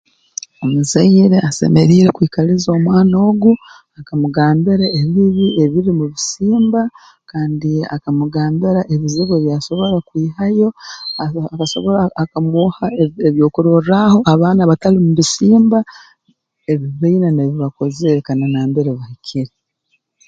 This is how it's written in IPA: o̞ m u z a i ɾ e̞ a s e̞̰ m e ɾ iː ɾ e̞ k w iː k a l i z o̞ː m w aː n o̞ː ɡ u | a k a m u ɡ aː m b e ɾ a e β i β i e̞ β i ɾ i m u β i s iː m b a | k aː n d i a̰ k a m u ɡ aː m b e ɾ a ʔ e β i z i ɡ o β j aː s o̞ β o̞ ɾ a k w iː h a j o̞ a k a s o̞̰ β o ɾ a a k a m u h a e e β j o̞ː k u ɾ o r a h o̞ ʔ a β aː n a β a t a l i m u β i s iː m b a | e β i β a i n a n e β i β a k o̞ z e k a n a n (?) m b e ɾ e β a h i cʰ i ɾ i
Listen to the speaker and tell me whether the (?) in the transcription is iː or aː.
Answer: aː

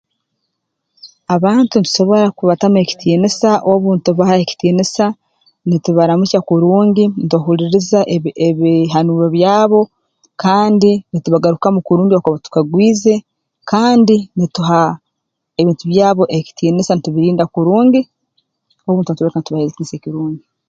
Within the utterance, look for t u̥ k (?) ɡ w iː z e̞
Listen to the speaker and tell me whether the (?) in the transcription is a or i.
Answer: a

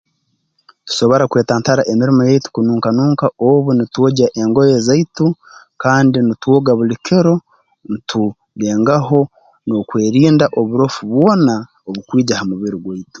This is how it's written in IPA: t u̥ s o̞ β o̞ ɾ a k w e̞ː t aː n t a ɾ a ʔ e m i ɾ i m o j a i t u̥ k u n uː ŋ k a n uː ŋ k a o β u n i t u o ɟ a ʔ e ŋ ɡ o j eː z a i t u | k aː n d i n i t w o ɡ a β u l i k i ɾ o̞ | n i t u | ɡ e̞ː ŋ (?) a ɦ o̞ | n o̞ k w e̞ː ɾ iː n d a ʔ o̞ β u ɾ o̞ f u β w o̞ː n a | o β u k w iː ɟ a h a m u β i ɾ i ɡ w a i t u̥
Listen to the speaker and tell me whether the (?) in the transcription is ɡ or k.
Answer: ɡ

